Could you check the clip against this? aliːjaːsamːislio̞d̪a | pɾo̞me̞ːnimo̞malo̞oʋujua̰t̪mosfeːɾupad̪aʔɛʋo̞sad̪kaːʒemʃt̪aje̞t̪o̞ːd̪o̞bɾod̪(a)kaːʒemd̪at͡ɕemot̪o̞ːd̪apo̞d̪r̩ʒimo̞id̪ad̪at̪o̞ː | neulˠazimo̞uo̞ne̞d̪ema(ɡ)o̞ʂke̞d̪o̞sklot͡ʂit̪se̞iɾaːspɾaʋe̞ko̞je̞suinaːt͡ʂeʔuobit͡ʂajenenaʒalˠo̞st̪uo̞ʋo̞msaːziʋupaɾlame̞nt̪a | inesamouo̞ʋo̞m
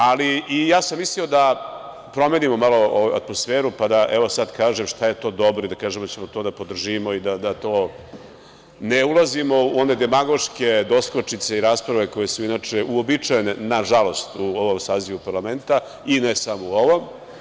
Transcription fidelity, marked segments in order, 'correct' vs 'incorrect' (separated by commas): correct, correct